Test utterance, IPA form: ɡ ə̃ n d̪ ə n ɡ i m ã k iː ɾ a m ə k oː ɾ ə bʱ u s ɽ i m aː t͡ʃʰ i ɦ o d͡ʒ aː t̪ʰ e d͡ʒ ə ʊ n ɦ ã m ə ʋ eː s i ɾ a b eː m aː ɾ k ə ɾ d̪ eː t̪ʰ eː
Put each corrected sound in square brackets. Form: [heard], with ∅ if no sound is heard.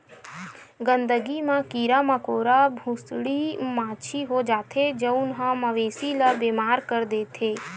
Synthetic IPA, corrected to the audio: ɡ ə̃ n d̪ ə [∅] ɡ i m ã k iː ɾ a m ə k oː ɾ [a] bʱ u s ɽ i m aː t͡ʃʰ i ɦ o d͡ʒ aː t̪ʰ e d͡ʒ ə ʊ n ɦ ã m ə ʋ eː s i [l] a b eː m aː ɾ k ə ɾ d̪ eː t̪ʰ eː